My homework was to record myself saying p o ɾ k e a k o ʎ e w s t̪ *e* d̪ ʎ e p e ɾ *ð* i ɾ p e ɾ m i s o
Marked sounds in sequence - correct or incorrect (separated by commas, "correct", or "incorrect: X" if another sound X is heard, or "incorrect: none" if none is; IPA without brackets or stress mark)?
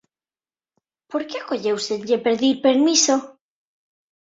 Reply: correct, correct